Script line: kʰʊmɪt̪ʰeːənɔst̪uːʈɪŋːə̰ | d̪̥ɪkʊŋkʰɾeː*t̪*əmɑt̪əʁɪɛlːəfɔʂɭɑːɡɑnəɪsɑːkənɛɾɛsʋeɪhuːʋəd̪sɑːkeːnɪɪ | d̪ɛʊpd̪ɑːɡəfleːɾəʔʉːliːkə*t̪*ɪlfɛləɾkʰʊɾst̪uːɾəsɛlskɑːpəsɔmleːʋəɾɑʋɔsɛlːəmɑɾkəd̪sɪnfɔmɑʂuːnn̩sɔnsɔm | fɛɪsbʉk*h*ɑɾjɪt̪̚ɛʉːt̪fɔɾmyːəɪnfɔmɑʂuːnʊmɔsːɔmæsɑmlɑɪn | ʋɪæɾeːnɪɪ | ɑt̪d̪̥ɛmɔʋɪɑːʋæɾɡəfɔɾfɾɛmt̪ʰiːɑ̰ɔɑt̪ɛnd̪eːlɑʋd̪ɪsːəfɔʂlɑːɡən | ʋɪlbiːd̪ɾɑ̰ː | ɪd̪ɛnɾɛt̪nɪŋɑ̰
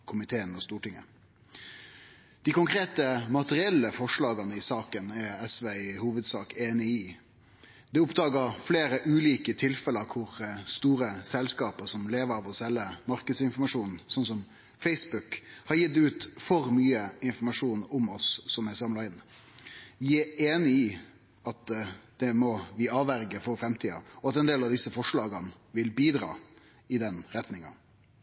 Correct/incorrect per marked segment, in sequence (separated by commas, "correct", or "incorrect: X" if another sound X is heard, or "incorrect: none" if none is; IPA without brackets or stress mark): correct, incorrect: t̪ʰ, correct